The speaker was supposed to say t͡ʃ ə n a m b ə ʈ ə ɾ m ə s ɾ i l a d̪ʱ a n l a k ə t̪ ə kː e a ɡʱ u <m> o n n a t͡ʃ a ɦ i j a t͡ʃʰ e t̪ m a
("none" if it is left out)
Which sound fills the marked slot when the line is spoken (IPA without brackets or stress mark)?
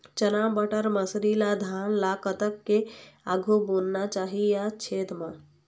b